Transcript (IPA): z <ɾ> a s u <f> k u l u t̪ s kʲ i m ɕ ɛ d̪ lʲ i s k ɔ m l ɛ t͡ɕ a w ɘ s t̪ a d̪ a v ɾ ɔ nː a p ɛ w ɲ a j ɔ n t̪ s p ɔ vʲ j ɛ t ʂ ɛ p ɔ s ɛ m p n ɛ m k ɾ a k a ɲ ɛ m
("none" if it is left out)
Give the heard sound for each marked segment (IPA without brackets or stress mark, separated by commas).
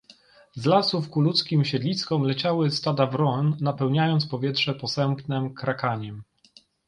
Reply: l, f